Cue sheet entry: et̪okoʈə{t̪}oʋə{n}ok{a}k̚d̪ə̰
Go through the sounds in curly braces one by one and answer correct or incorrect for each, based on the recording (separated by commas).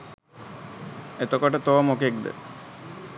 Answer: correct, incorrect, incorrect